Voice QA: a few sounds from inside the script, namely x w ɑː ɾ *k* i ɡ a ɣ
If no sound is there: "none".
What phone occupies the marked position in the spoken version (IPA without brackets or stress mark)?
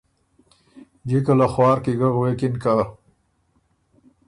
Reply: k